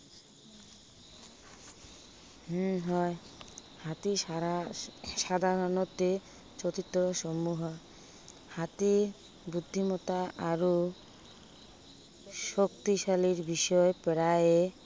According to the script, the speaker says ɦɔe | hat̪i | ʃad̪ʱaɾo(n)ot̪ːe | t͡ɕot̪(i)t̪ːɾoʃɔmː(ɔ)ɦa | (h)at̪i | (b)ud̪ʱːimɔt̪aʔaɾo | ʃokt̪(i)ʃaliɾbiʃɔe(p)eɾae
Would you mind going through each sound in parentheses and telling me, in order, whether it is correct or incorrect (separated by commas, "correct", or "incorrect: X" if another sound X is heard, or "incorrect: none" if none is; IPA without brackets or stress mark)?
correct, correct, incorrect: u, correct, correct, correct, correct